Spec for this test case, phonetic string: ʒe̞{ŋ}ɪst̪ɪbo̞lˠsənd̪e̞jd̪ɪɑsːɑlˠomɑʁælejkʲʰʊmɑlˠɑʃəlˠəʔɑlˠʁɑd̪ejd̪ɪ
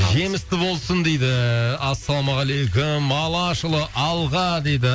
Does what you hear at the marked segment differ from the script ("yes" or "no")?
yes